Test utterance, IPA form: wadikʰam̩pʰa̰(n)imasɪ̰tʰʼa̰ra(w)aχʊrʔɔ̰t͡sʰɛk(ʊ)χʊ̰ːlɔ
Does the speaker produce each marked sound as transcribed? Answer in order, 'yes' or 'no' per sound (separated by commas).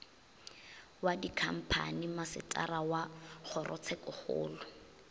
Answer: yes, yes, yes